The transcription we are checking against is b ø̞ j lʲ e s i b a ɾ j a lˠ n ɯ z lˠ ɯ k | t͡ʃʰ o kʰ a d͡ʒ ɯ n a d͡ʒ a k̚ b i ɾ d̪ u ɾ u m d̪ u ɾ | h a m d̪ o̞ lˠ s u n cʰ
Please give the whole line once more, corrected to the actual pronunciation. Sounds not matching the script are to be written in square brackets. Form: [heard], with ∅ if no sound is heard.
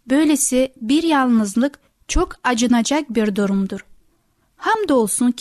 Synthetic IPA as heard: b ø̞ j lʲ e s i b [i] ɾ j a lˠ n ɯ z lˠ ɯ k | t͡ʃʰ o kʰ a d͡ʒ ɯ n a d͡ʒ a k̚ b i ɾ d̪ u ɾ u m d̪ u ɾ | h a m d̪ o̞ lˠ s u n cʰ